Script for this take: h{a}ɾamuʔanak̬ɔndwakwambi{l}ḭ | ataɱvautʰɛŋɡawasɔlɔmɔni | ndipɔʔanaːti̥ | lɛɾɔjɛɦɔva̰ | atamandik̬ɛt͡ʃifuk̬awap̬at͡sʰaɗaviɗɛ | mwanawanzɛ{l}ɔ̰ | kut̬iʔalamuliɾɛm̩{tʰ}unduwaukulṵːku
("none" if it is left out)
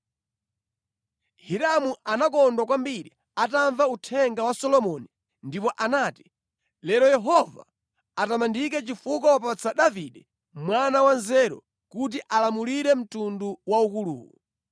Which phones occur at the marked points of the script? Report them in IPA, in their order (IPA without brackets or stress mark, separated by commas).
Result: i, ɾ, ɾ, t